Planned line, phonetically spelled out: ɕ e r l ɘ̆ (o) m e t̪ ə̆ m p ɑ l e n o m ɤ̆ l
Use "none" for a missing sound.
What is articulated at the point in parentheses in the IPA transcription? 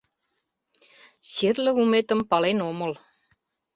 u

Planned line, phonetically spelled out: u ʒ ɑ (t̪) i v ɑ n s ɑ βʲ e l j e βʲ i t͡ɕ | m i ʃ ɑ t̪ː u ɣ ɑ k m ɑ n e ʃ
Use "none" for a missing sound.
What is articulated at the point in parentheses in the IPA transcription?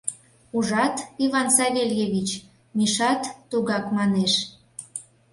t̪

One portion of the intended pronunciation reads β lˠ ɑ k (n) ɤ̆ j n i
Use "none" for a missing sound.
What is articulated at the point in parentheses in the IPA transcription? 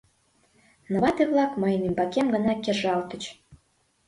m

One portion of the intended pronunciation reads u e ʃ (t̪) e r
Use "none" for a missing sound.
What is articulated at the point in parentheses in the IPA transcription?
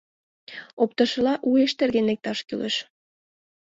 t̪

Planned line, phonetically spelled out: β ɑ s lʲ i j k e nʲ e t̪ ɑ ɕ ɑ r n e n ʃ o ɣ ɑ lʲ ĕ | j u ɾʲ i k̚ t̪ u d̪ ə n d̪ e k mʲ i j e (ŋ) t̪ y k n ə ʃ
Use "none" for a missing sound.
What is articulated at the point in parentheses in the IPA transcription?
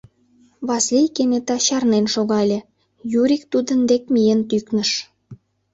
n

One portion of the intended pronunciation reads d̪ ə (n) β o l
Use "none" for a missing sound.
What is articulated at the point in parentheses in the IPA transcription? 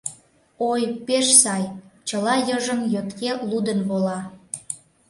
n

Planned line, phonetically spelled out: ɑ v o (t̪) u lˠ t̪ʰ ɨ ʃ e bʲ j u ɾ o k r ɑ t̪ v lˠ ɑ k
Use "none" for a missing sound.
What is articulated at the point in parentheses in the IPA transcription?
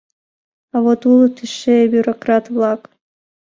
t̪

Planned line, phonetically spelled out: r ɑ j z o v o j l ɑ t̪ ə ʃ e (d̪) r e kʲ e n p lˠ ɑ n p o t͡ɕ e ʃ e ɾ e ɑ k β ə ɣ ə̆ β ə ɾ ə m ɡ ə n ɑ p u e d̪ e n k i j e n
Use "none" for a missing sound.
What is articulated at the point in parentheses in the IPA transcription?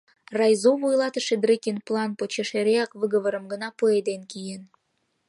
d̪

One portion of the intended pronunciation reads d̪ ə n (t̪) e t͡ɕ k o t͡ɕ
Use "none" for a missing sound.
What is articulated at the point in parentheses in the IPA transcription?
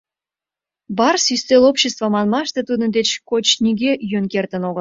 d̪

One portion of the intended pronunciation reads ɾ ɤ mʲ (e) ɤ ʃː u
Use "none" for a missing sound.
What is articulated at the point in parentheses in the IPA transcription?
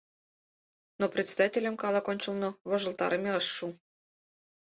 e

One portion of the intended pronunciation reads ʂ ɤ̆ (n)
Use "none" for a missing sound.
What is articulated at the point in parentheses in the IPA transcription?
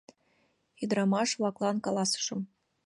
m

